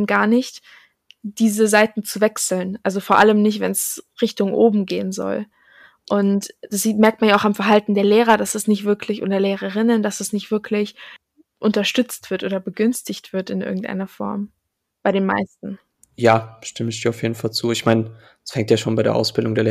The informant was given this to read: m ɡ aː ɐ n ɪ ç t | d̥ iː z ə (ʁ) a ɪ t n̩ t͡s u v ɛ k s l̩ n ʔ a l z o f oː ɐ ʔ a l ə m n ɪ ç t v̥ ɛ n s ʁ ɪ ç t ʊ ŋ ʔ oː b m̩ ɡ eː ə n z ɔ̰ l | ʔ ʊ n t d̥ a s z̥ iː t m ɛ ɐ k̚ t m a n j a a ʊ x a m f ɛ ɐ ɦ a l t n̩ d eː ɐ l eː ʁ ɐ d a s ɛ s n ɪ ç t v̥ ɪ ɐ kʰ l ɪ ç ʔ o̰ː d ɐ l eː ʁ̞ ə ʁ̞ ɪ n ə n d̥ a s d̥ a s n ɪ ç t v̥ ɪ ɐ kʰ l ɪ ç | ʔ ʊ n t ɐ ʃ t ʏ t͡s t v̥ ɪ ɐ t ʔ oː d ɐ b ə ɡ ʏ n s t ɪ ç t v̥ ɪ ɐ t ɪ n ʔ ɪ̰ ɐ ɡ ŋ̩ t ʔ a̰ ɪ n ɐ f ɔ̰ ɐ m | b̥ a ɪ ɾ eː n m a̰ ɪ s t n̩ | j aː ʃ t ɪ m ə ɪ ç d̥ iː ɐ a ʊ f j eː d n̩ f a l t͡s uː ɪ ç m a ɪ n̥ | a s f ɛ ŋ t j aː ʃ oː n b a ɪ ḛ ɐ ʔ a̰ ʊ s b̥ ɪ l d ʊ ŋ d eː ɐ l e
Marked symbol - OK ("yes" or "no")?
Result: no